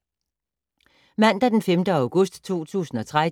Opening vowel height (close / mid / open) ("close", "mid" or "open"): open